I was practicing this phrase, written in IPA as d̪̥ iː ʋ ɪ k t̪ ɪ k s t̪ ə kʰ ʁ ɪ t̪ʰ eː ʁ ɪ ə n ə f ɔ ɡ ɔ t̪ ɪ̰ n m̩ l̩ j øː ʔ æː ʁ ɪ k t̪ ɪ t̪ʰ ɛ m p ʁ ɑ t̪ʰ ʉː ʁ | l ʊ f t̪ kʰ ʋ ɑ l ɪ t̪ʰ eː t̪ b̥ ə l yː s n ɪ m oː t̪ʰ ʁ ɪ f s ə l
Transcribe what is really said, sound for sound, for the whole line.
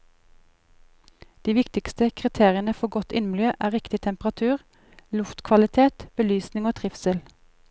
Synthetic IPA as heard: d̪̥ iː ʋ ɪ k t̪ ɪ k s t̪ ə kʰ ʁ ɪ t̪ʰ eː ʁ ɪ ə n ə f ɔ ɡ ɔ t̪ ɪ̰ n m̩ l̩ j øː ʔ æː ʁ ɪ k t̪ ɪ t̪ʰ ɛ m p ʁ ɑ t̪ʰ ʉː ʁ | l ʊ f t̪ kʰ ʋ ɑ l ɪ t̪ʰ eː t̪ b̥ ə l yː s n ɪ ŋ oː t̪ʰ ʁ ɪ f s ə l